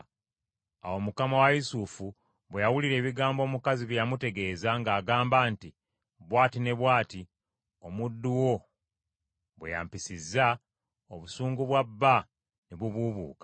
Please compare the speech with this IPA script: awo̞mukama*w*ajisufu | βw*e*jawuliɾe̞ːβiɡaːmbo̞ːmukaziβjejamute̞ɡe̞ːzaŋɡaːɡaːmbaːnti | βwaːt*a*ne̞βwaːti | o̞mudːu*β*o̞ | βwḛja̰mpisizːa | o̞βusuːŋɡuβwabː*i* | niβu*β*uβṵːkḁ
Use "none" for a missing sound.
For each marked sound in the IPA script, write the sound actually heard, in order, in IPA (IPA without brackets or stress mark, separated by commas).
w, e, i, w, a, β